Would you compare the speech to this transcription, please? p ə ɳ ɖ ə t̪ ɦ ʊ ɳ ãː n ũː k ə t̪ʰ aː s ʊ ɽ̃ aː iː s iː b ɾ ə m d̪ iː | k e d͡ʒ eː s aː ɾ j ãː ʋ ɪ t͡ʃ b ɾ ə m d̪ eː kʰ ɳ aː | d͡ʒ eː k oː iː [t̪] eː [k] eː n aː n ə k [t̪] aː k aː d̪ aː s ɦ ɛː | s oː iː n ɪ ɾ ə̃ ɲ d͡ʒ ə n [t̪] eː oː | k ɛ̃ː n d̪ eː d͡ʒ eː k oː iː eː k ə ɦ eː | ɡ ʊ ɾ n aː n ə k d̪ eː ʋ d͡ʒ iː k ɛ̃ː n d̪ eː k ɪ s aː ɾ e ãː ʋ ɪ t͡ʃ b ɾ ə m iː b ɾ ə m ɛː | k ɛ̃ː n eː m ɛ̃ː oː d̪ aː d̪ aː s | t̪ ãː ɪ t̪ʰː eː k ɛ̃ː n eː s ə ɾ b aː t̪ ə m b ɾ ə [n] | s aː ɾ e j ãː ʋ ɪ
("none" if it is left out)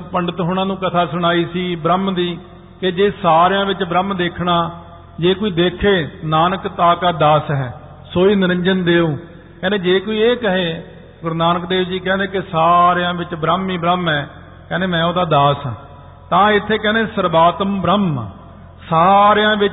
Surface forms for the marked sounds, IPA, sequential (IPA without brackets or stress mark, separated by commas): d̪, kʰ, t̪, d̪, m